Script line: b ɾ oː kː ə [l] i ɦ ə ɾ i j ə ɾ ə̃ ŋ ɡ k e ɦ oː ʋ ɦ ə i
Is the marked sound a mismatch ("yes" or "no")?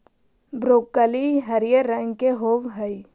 no